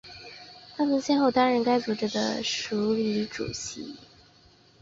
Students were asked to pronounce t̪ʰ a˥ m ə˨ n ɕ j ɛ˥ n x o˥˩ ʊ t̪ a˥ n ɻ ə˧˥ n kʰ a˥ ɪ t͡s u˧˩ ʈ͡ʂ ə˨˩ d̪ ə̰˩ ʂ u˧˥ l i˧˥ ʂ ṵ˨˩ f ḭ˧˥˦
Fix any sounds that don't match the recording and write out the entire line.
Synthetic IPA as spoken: t̪ʰ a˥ m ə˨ n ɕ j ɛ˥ n x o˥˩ ʊ t̪ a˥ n ɻ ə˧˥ n k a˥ ɪ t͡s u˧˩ ʈ͡ʂ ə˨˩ d̪ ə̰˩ ʂ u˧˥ l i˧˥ ʈ͡ʂ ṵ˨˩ ɕ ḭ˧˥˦